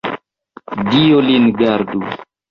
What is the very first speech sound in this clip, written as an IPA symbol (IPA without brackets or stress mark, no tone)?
d